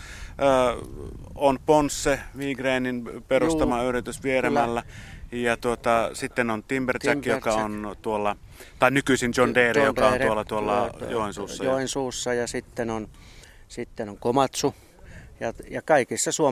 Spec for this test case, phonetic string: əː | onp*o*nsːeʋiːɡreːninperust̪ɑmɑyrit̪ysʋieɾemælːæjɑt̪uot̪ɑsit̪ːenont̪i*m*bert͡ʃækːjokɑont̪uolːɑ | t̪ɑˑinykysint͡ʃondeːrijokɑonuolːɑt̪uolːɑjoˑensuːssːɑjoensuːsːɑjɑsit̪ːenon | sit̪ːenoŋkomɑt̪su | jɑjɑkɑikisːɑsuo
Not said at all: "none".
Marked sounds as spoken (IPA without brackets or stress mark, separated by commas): o, m